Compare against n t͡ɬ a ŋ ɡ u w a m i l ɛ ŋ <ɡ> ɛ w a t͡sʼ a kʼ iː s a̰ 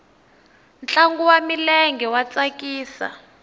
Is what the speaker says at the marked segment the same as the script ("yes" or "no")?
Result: yes